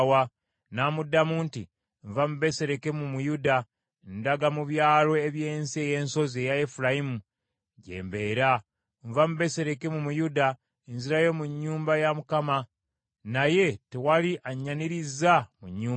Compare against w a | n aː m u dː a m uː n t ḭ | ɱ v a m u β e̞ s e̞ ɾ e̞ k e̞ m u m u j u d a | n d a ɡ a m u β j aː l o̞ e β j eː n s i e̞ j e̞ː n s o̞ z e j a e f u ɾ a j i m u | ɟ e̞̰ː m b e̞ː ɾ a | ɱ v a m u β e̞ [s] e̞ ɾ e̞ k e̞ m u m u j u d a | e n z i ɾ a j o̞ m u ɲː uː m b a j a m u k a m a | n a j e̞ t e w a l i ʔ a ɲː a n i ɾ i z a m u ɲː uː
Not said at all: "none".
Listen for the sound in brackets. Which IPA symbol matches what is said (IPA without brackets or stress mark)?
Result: s